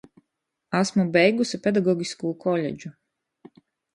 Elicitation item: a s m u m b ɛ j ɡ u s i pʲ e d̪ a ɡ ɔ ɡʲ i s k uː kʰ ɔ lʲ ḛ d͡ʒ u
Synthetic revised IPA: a s m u b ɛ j ɡ u s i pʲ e d̪ a ɡ ɔ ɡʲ i s k uː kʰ ɔ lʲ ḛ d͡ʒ u